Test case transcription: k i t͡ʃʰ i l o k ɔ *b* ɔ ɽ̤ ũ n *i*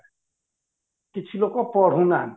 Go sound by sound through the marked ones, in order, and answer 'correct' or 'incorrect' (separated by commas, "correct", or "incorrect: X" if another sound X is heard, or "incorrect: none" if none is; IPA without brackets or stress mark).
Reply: incorrect: p, incorrect: a